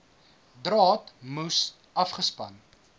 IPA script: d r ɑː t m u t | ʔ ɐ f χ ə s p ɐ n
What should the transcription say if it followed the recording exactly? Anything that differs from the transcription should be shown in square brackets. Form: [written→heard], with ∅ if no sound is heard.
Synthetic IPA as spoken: d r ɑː t m u [t→s] | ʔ ɐ f χ ə s p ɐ n